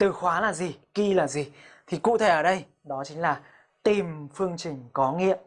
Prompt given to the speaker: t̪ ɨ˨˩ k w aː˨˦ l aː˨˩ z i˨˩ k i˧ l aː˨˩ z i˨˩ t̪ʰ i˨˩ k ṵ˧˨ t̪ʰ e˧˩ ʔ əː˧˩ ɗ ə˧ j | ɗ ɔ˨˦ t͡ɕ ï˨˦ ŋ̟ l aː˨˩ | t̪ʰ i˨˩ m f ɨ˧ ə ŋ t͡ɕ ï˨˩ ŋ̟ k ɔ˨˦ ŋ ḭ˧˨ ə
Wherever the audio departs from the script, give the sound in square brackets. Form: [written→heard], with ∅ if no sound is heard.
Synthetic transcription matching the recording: t̪ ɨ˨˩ [k→x] w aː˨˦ l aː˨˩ z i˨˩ k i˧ l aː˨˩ z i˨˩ t̪ʰ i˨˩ k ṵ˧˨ t̪ʰ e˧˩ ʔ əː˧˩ ɗ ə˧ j | ɗ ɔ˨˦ t͡ɕ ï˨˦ ŋ̟ l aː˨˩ | [t̪ʰ→t̪] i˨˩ m f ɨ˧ ə ŋ t͡ɕ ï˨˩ ŋ̟ k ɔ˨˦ ŋ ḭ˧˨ ə

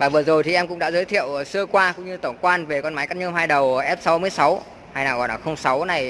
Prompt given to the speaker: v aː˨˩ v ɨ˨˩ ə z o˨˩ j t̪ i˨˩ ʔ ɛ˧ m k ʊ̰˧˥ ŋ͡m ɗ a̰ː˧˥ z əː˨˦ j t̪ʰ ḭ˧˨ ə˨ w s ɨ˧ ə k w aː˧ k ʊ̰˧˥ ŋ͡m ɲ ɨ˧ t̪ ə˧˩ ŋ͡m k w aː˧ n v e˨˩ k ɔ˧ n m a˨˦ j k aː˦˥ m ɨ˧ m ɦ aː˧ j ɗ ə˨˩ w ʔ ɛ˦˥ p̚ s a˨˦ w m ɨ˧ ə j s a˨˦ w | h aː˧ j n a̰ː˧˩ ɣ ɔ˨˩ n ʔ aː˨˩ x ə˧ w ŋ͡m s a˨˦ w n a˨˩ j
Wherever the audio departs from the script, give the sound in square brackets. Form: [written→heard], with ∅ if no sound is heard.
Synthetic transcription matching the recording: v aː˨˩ v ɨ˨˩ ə z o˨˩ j t̪ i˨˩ ʔ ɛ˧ m k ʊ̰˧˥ ŋ͡m ɗ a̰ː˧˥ z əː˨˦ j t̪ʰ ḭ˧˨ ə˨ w s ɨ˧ ə k w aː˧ k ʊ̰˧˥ ŋ͡m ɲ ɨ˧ t̪ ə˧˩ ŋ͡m k w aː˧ n v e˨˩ k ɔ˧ n m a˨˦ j k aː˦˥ [m→ɲ] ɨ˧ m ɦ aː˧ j ɗ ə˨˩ w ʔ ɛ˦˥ p̚ s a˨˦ w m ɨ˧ ə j s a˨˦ w | h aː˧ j n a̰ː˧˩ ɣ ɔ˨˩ n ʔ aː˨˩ x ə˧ w ŋ͡m s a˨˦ w n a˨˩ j

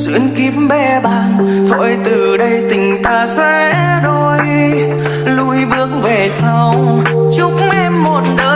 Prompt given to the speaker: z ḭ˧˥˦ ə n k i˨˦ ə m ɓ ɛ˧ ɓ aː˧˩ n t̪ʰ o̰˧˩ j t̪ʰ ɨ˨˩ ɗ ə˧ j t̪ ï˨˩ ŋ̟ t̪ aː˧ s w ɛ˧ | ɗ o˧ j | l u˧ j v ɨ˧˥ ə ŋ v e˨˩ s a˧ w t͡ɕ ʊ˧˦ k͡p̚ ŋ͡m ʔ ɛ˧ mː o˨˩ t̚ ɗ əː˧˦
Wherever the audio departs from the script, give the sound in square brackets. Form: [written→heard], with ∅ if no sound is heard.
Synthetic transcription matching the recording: z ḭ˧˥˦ ə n k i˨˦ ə m ɓ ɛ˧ ɓ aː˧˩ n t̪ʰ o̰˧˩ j [t̪ʰ→t̪] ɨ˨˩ ɗ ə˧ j t̪ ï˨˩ ŋ̟ t̪ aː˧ s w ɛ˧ | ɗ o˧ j | l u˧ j v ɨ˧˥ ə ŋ v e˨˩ s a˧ w t͡ɕ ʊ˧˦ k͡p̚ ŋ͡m ʔ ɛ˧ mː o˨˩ t̚ ɗ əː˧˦

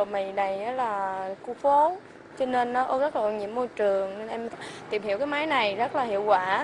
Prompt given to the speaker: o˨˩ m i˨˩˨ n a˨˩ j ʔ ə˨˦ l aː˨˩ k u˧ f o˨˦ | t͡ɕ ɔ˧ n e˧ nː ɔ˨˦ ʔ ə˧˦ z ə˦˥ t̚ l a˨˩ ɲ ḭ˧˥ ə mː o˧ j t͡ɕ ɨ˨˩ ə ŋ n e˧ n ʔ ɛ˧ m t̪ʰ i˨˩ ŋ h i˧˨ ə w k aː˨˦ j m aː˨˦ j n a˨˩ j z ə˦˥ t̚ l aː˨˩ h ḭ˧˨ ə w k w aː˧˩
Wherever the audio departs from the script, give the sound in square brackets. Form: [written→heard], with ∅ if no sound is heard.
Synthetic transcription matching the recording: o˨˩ m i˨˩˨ n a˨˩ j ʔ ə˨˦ l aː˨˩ k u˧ f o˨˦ | t͡ɕ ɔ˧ n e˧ nː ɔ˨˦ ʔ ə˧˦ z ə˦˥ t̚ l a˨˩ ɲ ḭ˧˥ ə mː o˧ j t͡ɕ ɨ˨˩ ə ŋ n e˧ n ʔ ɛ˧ m [t̪ʰ→t̪] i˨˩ [ŋ→m] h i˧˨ ə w k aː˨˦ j m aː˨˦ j n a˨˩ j z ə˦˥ t̚ l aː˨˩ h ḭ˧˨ ə w k w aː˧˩

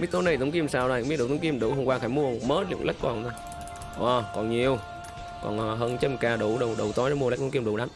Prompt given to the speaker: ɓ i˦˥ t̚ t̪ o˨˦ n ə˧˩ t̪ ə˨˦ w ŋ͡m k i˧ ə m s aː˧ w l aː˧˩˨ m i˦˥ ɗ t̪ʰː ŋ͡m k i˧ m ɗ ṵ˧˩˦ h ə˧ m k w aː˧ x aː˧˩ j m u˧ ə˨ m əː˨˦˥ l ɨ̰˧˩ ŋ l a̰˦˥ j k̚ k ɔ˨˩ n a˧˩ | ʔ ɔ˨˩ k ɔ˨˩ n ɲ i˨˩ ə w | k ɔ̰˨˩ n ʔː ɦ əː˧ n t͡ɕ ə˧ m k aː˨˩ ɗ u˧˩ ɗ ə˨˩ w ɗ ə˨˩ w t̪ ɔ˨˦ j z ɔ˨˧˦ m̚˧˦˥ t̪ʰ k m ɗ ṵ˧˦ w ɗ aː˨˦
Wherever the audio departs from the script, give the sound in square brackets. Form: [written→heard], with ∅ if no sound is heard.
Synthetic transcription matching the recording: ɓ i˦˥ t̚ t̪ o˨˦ n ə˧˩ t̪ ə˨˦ w ŋ͡m k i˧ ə m s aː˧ w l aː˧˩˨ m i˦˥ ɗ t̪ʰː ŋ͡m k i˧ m ɗ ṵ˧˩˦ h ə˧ [m→ŋ͡m] k w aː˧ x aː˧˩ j m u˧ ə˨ m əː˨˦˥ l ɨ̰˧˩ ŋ l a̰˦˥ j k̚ k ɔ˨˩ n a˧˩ | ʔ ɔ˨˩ k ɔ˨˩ n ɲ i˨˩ ə w | k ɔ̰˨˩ n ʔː ɦ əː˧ n t͡ɕ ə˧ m k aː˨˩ ɗ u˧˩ ɗ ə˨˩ w ɗ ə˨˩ w t̪ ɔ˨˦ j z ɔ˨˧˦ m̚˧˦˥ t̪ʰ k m ɗ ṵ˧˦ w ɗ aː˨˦

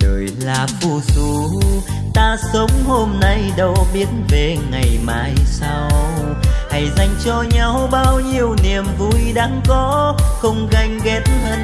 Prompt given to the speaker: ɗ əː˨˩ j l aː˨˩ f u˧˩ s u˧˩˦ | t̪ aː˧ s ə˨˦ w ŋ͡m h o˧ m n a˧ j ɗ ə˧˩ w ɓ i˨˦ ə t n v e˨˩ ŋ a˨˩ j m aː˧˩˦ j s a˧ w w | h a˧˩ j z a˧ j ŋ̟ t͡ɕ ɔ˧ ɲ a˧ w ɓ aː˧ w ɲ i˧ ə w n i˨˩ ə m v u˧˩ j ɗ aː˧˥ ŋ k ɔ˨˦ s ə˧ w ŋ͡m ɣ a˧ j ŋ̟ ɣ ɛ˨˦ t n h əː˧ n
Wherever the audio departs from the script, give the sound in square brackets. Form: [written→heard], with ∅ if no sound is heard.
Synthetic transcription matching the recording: ɗ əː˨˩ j l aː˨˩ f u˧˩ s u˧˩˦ | t̪ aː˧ s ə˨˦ w ŋ͡m h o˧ m n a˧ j ɗ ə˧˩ w ɓ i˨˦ ə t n v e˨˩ ŋ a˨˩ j m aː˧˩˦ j s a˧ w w | h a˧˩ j z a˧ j ŋ̟ t͡ɕ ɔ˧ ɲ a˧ w ɓ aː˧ w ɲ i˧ ə w n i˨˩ ə m v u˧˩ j ɗ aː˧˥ ŋ k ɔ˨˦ [s→x] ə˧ w ŋ͡m ɣ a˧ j ŋ̟ ɣ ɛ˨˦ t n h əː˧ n

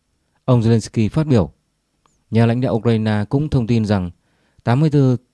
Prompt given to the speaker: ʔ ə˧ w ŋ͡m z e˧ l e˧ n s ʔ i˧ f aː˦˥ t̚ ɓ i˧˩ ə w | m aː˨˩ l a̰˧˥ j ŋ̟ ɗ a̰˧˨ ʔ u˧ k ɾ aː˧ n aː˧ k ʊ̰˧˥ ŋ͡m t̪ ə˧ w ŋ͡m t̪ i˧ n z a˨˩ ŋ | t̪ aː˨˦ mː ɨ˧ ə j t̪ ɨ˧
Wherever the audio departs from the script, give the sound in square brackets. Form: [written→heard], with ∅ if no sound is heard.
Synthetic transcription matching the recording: ʔ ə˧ w ŋ͡m z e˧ l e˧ n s [ʔ→k] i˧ f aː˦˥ t̚ ɓ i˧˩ ə w | [m→ɲ] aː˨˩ l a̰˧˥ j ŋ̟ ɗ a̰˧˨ ʔ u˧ k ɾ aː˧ n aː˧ k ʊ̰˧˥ ŋ͡m [t̪→t̪ʰ] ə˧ w ŋ͡m t̪ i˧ n z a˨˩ ŋ | t̪ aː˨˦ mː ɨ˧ ə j t̪ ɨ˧

